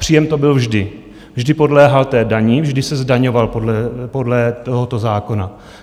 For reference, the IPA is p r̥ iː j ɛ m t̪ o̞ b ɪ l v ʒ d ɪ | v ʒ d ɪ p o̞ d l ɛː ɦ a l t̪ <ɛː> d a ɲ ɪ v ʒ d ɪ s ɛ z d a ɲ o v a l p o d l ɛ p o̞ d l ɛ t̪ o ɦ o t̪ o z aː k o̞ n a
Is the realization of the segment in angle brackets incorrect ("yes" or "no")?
no